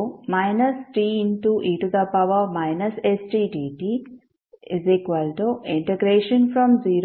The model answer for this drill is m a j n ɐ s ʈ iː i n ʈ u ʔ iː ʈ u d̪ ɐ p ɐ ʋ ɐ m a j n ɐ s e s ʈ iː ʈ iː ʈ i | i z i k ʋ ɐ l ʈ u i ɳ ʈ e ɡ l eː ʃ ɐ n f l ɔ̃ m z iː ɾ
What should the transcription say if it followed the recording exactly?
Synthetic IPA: m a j n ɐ s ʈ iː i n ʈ u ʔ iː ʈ u d̪ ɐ p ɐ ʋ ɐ m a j n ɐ s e s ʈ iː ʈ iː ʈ i | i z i k ʋ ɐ l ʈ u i ɳ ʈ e ɡ ɾ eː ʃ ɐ n f ɾ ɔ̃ m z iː ɾ